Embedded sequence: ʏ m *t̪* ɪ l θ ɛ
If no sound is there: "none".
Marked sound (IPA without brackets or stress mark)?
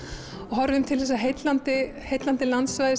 t̪ʰ